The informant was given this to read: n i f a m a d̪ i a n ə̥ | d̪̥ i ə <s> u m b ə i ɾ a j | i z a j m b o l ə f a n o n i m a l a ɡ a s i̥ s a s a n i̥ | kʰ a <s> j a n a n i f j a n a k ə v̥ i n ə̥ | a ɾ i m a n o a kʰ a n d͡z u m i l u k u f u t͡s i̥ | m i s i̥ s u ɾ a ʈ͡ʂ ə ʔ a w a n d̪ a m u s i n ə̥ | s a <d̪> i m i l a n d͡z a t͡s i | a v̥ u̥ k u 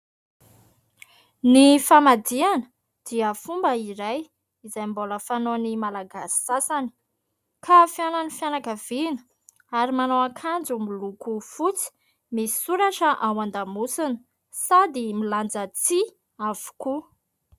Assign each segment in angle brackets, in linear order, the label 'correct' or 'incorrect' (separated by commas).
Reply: incorrect, incorrect, correct